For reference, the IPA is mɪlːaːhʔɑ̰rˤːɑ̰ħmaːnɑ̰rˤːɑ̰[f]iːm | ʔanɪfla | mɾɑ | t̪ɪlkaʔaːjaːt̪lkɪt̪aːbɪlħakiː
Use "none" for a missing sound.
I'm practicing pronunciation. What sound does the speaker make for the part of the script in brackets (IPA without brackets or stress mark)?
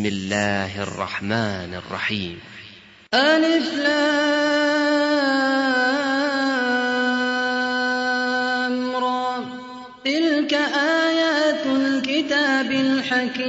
ħ